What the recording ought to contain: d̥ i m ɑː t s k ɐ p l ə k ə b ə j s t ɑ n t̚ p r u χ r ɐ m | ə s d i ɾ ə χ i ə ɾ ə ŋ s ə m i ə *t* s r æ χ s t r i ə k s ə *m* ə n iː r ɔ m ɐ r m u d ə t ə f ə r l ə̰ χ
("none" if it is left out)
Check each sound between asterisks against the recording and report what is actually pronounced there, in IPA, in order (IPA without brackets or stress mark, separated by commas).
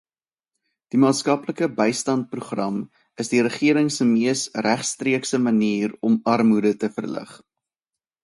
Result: none, m